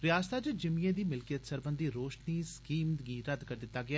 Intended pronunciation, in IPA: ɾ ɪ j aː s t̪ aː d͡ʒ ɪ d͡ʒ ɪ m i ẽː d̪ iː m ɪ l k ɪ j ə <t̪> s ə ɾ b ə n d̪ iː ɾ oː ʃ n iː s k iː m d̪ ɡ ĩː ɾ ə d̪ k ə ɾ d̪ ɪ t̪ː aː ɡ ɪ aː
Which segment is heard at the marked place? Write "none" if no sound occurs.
t̪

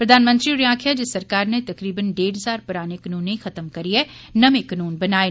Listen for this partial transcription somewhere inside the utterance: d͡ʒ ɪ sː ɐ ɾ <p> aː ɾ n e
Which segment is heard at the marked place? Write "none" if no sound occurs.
k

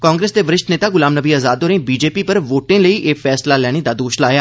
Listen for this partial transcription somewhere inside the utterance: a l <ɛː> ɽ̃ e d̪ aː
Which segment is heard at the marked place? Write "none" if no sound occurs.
ɛː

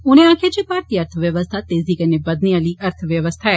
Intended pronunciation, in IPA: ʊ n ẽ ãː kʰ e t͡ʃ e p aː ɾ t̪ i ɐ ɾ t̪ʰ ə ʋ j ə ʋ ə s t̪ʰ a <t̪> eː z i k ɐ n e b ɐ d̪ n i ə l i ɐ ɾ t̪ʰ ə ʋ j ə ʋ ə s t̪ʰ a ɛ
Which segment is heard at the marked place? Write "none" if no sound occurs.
t̪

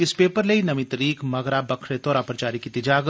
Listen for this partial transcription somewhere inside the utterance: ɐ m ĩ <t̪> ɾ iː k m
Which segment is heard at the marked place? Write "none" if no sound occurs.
t̪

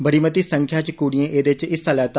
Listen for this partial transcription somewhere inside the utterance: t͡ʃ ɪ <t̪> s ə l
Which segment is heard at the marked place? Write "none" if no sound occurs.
none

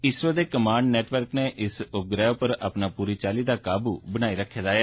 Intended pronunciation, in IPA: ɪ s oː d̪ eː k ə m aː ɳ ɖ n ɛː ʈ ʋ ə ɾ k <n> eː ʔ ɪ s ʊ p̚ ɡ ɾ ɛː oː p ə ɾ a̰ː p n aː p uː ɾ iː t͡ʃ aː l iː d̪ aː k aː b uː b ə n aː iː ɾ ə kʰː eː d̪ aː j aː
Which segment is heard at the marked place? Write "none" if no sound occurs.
n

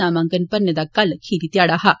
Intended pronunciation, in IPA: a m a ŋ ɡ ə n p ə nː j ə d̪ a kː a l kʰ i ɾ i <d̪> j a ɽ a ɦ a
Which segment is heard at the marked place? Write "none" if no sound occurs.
t̪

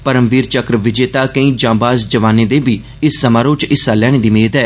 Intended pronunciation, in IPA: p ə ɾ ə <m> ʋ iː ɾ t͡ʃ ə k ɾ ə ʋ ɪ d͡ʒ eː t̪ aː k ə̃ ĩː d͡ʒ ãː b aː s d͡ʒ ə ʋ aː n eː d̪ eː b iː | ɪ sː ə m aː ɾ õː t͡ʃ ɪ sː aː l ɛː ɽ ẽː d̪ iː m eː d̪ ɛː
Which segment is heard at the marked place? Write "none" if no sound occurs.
m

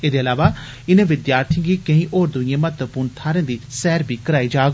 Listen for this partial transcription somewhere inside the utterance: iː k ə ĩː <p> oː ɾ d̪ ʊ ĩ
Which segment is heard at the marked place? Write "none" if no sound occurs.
ʔ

